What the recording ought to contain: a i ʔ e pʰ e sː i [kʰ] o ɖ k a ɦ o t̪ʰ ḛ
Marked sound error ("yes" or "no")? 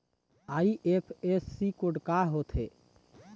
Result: yes